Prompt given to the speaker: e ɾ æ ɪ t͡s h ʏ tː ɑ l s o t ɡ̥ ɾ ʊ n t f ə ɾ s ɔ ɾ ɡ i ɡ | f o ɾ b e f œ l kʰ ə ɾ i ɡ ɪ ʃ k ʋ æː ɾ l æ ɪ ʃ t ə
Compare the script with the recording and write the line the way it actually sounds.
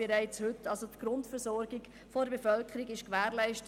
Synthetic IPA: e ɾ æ ɪ t͡s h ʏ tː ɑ l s o t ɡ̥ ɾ ʊ n t f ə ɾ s ɔ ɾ ɡ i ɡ | f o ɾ b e f œ l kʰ ə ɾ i ɡ ɪ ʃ k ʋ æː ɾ l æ ɪ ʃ t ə